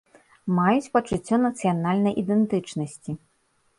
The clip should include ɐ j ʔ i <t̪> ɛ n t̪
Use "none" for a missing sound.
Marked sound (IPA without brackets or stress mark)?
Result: d̪